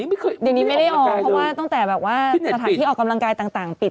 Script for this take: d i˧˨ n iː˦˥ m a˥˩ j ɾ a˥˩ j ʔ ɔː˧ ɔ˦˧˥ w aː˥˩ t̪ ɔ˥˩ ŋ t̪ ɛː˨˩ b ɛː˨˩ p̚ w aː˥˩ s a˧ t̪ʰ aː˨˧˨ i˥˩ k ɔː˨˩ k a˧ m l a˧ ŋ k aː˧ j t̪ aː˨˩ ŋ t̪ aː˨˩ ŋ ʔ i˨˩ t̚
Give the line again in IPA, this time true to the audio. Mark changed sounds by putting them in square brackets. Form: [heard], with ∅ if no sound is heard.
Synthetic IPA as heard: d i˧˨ n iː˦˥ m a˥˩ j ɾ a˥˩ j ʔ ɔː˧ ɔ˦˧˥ w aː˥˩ t̪ ɔ˥˩ ŋ t̪ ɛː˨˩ b ɛː˨˩ p̚ w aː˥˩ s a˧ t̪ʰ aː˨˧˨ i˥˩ [ʔ] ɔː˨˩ k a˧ m l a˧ ŋ k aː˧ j t̪ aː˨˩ ŋ t̪ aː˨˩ ŋ [p] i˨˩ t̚